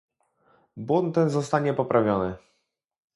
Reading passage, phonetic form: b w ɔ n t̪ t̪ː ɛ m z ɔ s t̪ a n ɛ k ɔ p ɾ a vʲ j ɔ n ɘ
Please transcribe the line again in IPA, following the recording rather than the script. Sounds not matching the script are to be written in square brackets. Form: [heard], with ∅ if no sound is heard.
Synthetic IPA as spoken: b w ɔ n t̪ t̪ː ɛ [n] z ɔ s t̪ a [ɲ] ɛ [p] ɔ p ɾ a vʲ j ɔ n ɘ

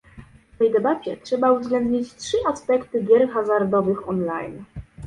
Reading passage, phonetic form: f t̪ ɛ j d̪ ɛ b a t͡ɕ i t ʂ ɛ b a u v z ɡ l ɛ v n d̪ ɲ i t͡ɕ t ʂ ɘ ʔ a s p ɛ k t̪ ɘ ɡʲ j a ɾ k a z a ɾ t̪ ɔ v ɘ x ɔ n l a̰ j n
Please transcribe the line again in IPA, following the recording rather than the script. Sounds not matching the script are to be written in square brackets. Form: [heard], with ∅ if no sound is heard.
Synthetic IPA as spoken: f t̪ ɛ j d̪ ɛ b a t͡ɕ [ɛ] t ʂ ɛ b a u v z ɡ l ɛ [∅] n d̪ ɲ i t͡ɕ t ʂ ɘ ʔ a s p ɛ k t̪ ɘ ɡʲ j [ɛ] ɾ [x] a z a ɾ [d̪] ɔ v ɘ x ɔ n l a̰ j n

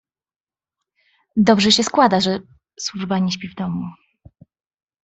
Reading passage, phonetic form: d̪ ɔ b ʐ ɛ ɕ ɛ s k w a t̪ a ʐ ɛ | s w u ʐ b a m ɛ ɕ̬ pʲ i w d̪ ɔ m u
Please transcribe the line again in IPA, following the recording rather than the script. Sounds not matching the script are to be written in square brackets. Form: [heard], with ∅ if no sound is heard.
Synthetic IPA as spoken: d̪ ɔ b ʐ ɛ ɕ ɛ s k w a [d̪] a ʐ ɛ | s w u ʐ b a [ɲ] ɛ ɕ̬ pʲ i [v] d̪ ɔ m u

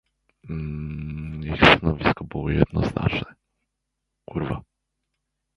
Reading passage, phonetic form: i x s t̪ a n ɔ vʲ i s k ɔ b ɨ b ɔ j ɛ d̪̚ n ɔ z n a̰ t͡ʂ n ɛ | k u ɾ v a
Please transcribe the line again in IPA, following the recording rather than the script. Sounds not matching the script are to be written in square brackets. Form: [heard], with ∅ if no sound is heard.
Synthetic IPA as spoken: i x s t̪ a n ɔ vʲ i s k ɔ b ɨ [w] ɔ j ɛ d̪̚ n ɔ z n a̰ t͡ʂ n ɛ | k u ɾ v a

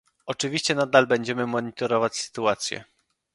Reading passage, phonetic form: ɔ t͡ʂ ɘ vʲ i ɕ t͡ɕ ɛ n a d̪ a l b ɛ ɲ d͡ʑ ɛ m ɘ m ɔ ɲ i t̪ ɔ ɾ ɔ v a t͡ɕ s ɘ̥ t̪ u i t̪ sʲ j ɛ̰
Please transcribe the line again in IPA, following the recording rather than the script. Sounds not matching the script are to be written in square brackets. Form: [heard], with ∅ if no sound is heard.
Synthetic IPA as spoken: ɔ t͡ʂ ɘ vʲ i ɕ t͡ɕ ɛ n a d̪ a l b ɛ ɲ d͡ʑ ɛ m ɘ m ɔ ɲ i t̪ ɔ ɾ ɔ v a t͡ɕ s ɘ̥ t̪ u [a] t̪ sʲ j ɛ̰

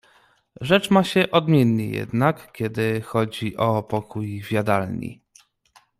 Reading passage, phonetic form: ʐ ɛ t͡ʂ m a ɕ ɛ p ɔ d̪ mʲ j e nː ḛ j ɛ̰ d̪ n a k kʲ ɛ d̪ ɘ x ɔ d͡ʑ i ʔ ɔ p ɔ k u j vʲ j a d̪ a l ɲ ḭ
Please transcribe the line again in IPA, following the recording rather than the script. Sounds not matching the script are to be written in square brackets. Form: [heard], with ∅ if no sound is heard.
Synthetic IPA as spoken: ʐ ɛ t͡ʂ m a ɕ ɛ [ʔ] ɔ d̪ mʲ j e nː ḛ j ɛ̰ d̪ n a k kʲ ɛ d̪ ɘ x ɔ d͡ʑ i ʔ ɔ p ɔ k u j vʲ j a d̪ a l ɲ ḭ

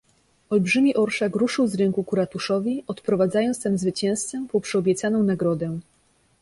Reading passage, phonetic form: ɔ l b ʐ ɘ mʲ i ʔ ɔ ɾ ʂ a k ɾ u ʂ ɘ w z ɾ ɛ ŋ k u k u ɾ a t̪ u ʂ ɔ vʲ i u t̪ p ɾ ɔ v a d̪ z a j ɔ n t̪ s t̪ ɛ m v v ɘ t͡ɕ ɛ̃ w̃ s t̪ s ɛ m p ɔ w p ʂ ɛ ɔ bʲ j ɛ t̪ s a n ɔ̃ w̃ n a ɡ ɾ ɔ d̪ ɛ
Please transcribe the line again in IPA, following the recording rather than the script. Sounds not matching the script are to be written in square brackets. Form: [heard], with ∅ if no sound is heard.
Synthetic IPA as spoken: ɔ l b ʐ ɘ mʲ i ʔ ɔ ɾ ʂ a k ɾ u ʂ ɘ w z ɾ ɛ ŋ k u k u ɾ a t̪ u ʂ ɔ vʲ i [ɔ] t̪ p ɾ ɔ v a d̪ z a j ɔ n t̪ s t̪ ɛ m [z] v ɘ t͡ɕ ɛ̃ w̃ s t̪ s ɛ m p ɔ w p ʂ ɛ ɔ bʲ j ɛ t̪ s a n ɔ̃ w̃ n a ɡ ɾ ɔ d̪ ɛ

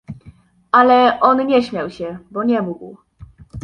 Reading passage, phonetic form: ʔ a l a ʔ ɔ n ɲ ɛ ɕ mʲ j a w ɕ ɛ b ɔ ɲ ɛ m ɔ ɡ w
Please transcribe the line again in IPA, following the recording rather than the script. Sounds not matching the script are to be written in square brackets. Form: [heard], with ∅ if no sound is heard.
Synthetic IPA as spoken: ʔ a l [ɛ] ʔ ɔ n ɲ ɛ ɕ mʲ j a w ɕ ɛ b ɔ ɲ ɛ m [u] ɡ w

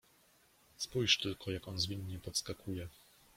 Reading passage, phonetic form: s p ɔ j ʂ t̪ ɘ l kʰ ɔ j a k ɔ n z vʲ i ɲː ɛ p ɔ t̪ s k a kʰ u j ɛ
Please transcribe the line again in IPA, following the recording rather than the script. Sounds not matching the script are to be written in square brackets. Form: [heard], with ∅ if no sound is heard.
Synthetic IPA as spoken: s p [u] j ʂ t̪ ɘ l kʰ ɔ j a k ɔ n z vʲ i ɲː ɛ p ɔ t̪ s k a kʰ u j ɛ

